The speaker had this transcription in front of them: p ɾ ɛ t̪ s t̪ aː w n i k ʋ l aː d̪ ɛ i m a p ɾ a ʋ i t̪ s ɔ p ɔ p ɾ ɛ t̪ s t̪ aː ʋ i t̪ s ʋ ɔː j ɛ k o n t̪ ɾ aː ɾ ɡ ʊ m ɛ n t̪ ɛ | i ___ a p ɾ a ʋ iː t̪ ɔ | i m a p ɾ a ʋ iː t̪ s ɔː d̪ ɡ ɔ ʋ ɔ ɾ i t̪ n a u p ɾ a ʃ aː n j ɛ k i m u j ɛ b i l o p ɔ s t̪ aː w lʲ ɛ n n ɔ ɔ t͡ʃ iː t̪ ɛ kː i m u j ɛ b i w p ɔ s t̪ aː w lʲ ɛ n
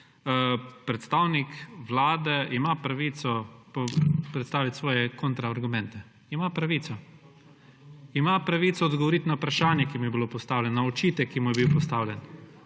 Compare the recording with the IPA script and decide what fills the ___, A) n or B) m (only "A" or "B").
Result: B